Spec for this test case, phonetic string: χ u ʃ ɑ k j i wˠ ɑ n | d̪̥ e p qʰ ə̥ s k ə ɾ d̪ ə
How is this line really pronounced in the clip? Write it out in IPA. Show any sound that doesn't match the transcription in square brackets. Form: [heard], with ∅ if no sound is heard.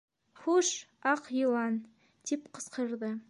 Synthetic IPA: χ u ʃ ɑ [q] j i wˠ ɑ n | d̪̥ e p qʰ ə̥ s [q] ə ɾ d̪ ə